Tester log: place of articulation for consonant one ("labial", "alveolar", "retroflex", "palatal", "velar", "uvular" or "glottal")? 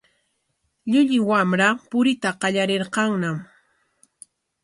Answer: palatal